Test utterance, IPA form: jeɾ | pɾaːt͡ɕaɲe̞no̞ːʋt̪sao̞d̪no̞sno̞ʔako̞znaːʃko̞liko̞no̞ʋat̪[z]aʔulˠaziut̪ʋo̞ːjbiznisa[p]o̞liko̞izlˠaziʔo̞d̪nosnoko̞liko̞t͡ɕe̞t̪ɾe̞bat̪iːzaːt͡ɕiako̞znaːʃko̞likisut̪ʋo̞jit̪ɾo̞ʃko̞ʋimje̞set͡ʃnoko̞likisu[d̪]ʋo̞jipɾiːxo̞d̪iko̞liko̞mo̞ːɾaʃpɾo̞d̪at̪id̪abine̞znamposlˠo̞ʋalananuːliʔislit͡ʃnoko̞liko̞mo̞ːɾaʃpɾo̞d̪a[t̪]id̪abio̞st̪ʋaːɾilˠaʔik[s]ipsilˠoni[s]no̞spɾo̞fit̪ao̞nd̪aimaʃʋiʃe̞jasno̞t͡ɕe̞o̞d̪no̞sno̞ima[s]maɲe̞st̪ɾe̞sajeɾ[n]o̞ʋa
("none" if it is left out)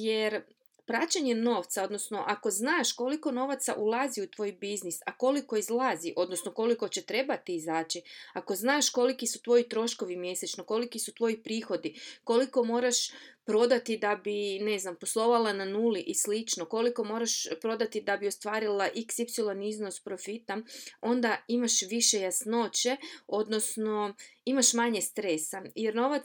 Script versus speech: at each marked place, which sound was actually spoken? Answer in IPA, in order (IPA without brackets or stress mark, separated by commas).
s, k, t̪, t̪, s, z, ʃ, n